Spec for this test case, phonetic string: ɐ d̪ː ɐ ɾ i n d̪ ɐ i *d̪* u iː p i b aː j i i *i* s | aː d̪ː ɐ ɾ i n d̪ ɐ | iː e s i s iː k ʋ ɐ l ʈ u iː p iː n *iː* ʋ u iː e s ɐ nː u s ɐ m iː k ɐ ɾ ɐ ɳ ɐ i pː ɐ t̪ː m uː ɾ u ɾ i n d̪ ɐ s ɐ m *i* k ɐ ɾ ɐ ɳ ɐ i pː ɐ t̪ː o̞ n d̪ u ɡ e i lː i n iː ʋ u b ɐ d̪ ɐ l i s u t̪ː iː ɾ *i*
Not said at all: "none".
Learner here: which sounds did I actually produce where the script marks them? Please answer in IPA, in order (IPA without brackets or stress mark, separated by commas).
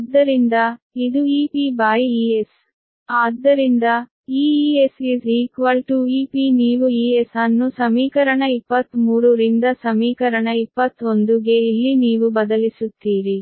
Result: d̪, e, iː, iː, i